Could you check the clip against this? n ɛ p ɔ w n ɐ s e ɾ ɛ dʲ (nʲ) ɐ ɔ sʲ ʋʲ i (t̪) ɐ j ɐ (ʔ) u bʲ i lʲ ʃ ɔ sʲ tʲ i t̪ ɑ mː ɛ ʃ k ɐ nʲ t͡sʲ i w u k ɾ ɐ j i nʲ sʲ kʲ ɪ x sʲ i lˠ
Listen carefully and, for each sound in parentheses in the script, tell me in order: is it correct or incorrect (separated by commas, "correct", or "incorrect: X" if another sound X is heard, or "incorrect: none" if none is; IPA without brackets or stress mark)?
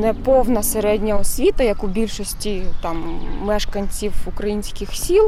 correct, correct, incorrect: k